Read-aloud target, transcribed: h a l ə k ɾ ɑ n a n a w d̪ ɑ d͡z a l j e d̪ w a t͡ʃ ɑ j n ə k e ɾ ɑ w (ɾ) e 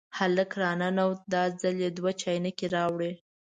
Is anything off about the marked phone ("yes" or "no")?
yes